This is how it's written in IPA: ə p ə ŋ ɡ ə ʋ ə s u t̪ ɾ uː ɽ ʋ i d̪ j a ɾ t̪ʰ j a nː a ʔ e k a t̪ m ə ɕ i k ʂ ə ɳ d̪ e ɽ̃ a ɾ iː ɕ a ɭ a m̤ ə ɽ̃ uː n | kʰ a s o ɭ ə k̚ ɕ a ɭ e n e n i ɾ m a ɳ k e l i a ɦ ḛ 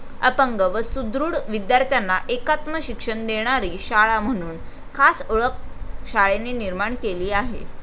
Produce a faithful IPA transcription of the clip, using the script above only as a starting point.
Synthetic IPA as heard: ə p ə ŋ ɡ ə ʋ ə s u d̪ ɾ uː ɽ ʋ i d̪ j a ɾ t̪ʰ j a nː a ʔ e k a t̪ m ə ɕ i k ʂ ə ɳ d̪ e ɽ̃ a ɾ iː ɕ a ɭ a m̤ ə ɽ̃ uː n | kʰ a s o ɭ ə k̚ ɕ a ɭ e n e n i ɾ m a ɳ k e l iː a ɦ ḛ